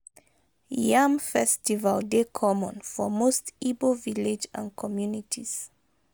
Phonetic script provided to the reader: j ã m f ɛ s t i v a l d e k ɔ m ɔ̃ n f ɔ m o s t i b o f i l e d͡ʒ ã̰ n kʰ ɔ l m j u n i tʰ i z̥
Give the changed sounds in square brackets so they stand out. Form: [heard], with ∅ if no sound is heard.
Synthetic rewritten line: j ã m f ɛ s t i v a l d e [kʰ] ɔ m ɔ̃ n f ɔ m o s t i b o [v] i l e d͡ʒ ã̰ n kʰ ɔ [∅] m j u n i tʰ i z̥